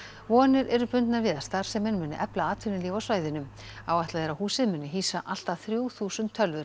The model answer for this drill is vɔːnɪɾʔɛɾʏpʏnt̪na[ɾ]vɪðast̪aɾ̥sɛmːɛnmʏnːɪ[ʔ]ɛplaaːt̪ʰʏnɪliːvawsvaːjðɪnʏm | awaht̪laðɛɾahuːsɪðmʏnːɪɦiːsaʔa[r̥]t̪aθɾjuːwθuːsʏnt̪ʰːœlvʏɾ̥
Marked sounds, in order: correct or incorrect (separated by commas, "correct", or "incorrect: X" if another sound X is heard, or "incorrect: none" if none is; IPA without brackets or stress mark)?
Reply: correct, correct, incorrect: l̥